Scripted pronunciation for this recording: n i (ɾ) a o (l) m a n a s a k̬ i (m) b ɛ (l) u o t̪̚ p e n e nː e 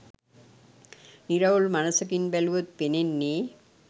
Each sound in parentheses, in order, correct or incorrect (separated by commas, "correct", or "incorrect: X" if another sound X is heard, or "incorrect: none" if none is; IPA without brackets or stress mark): correct, correct, incorrect: n, correct